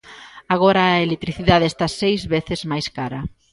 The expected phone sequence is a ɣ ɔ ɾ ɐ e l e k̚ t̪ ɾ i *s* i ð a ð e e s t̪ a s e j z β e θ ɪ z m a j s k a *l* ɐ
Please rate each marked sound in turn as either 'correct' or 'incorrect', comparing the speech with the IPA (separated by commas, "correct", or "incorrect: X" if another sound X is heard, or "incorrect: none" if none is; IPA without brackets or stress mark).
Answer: incorrect: θ, incorrect: ɾ